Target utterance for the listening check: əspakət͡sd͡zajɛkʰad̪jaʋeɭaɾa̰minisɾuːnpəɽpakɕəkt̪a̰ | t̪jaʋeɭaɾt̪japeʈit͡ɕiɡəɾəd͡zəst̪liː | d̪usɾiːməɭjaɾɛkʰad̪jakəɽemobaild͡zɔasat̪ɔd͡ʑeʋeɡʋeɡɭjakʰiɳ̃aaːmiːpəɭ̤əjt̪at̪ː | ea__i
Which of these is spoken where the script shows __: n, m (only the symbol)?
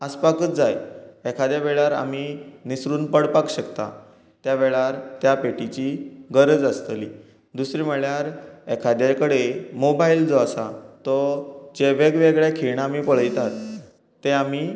m